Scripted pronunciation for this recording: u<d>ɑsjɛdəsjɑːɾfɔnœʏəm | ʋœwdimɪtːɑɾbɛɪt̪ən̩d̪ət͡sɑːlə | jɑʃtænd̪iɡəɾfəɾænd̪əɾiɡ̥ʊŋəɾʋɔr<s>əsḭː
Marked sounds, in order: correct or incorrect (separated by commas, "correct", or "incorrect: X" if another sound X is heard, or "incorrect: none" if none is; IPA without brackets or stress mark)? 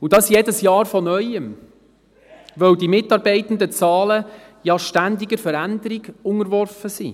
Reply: correct, incorrect: f